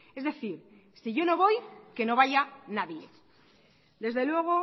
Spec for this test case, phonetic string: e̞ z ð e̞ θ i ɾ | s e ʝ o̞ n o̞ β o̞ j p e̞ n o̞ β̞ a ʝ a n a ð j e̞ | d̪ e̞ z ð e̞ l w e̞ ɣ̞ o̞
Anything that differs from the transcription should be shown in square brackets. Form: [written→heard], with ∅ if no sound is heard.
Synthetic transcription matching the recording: e̞ z ð e̞ θ i ɾ | s [e→i] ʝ o̞ n o̞ β o̞ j [p→k] e̞ n o̞ β̞ a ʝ a n a ð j e̞ | d̪ e̞ z ð e̞ l w e̞ ɣ̞ o̞